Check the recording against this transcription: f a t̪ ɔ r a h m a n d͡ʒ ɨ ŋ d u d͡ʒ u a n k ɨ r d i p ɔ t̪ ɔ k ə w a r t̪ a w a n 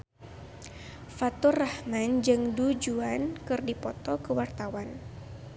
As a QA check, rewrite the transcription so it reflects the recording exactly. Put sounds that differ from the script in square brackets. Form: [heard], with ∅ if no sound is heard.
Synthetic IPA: f a t̪ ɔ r a h m a n d͡ʒ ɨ ŋ d u d͡ʒ u a n k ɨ r d i p ɔ t̪ ɔ k ə w a r t̪ a w a n

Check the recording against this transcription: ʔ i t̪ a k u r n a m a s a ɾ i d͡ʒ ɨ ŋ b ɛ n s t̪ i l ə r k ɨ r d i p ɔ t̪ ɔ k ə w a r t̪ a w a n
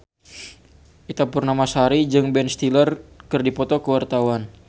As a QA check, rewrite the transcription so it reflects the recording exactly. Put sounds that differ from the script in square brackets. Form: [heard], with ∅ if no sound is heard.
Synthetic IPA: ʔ i t̪ a [p] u r n a m a s a ɾ i d͡ʒ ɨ ŋ b ɛ n s t̪ i l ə r k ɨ r d i p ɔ t̪ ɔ k ə w a r t̪ a w a n

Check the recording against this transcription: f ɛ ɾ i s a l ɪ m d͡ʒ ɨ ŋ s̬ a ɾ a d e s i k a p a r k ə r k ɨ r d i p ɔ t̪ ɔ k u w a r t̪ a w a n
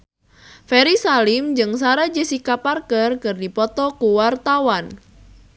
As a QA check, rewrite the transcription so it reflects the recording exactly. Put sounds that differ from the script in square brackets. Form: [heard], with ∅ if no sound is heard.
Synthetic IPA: f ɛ ɾ i s a l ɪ m d͡ʒ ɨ ŋ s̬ a ɾ a [d͡ʒ] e s i k a p a r k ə r k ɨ r d i p ɔ t̪ ɔ k u w a r t̪ a w a n

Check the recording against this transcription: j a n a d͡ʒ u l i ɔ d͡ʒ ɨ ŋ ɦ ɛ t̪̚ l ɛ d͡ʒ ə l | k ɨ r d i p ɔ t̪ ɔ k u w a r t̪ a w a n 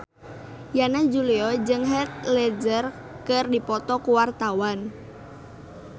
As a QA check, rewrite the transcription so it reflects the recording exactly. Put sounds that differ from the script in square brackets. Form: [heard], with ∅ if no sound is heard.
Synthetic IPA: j a n a d͡ʒ u l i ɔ d͡ʒ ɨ ŋ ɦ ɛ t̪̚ l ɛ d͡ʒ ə [r] | k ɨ r d i p ɔ t̪ ɔ k u w a r t̪ a w a n

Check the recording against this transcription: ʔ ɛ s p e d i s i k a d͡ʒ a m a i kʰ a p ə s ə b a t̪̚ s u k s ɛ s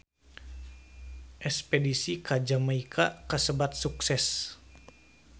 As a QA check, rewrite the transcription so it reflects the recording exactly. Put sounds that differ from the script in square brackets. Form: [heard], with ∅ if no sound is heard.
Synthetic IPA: ʔ ɛ s p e d i s i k a d͡ʒ a m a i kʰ a [k] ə s ə b a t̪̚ s u k s ɛ s

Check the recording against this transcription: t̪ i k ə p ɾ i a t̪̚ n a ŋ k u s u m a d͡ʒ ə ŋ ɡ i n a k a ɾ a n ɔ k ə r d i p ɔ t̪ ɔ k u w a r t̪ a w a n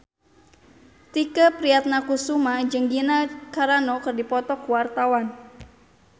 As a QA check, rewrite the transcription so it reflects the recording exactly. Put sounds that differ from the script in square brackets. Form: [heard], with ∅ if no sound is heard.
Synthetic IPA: t̪ i k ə p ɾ i a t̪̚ n a [∅] k u s u m a d͡ʒ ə ŋ ɡ i n a k a ɾ a n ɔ k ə r d i p ɔ t̪ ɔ k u w a r t̪ a w a n

